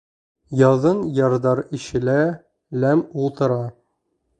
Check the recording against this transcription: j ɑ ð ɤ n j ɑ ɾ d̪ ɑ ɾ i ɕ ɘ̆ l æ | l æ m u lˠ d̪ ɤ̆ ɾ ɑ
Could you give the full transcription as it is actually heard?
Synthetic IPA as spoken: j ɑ ð ɤ n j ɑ ɾ d̪ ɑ ɾ i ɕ ɘ̆ l æ | l æ m u lˠ t̪ ɤ̆ ɾ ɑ